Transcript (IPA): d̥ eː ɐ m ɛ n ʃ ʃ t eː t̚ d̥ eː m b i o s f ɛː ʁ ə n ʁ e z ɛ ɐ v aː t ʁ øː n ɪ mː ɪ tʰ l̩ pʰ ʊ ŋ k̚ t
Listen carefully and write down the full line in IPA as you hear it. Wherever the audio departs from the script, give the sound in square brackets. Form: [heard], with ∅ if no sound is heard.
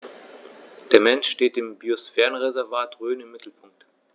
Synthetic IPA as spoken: d̥ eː ɐ m ɛ n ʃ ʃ t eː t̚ d̥ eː m b i o s f ɛː ʁ ə n ʁ e z ɛ ɐ v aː t ʁ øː n ɪ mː ɪ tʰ l̩ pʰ ʊ ŋ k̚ t